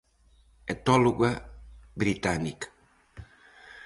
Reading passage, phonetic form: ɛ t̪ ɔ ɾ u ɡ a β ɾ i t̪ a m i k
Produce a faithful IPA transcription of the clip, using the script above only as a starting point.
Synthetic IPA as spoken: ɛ t̪ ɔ l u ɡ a b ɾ i t̪ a n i k